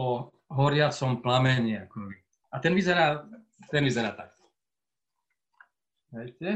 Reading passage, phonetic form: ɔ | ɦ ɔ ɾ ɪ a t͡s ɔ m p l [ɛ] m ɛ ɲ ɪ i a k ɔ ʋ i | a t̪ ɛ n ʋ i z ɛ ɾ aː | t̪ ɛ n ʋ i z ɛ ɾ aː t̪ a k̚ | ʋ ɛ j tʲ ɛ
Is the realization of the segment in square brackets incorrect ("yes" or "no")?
yes